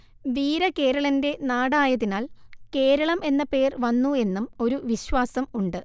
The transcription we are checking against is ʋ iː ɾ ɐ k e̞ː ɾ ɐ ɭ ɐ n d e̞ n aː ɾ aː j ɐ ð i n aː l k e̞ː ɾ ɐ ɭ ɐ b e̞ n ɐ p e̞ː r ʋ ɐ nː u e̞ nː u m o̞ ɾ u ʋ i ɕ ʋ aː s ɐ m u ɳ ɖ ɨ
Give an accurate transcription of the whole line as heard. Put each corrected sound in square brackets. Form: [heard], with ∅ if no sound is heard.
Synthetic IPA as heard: ʋ iː ɾ ɐ k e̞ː ɾ ɐ ɭ ɐ n d e̞ n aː [ɽ] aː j ɐ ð i n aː l k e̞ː ɾ ɐ ɭ ɐ [m] e̞ [nː] ɐ p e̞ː r ʋ ɐ nː u e̞ nː u m o̞ ɾ u ʋ i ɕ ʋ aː s ɐ m u ɳ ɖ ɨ